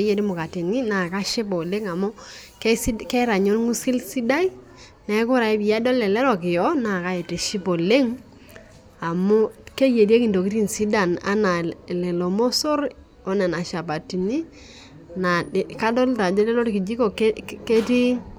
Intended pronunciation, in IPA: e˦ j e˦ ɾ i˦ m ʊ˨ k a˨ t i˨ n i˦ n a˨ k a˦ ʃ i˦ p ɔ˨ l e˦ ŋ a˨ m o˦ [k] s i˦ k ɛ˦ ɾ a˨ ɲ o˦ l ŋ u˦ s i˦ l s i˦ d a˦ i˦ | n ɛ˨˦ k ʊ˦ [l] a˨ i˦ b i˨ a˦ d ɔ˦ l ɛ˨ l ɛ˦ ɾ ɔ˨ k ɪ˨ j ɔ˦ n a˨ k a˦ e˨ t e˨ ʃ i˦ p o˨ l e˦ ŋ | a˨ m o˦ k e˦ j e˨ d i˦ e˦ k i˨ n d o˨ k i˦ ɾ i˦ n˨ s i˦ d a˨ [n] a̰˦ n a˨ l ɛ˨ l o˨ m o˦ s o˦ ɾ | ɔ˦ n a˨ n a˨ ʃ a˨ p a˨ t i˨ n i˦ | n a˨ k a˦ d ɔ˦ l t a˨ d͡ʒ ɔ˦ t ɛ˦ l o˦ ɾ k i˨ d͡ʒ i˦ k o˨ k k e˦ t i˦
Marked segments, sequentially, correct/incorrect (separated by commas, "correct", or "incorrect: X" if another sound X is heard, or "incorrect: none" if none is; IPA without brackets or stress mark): correct, incorrect: ɾ, correct